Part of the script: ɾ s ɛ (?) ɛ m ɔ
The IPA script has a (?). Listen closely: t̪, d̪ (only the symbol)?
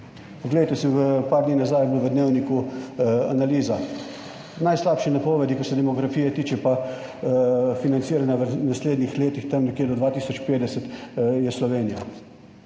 d̪